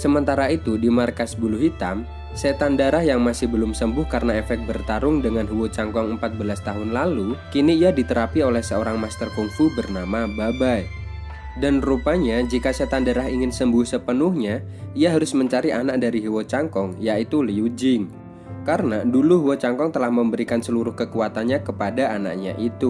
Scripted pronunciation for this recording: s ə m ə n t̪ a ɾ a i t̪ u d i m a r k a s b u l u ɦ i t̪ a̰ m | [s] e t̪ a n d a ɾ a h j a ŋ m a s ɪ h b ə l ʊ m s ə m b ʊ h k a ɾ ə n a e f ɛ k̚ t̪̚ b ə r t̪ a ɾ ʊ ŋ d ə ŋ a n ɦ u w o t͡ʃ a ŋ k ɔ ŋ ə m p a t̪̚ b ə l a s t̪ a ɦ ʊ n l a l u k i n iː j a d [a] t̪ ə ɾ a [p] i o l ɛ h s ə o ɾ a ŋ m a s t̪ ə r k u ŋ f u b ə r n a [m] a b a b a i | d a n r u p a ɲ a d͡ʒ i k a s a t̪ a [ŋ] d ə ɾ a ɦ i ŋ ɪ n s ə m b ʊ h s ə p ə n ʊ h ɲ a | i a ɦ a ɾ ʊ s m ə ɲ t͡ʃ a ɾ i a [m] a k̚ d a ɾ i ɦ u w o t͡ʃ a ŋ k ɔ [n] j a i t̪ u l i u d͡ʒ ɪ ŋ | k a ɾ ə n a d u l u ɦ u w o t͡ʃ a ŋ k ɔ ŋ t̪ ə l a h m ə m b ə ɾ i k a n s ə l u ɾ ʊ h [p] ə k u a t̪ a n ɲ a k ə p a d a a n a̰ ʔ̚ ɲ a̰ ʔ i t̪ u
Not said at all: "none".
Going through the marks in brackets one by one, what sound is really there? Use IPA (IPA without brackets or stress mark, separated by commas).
s, i, p, m, n, n, ŋ, k